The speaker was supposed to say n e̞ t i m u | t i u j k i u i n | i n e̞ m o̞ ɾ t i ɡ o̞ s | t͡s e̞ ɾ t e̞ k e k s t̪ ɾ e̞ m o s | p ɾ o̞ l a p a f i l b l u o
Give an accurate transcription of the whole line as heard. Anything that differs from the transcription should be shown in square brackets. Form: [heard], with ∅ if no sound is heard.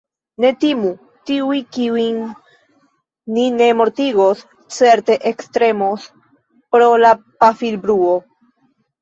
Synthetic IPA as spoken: n e̞ t i m u | t i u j k i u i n | i n e̞ m o̞ ɾ t i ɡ o̞ s | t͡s e̞ ɾ t e̞ [ʔ] e k s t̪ ɾ e̞ m o s | p ɾ o̞ l a p a f i l b [ɾ] u o